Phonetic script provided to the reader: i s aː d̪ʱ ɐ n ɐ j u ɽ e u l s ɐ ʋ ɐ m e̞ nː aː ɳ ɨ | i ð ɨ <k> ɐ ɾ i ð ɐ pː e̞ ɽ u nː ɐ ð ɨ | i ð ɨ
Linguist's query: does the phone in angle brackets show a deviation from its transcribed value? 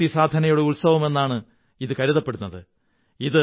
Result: no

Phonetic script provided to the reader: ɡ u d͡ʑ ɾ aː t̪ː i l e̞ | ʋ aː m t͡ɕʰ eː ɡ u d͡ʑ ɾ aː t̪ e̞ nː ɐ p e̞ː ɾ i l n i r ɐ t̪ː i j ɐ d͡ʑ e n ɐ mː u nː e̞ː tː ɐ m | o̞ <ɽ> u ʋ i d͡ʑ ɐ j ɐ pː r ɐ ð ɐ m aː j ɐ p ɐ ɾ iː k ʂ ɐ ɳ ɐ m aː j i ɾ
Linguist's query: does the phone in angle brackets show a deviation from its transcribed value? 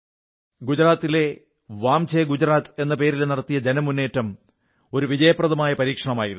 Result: yes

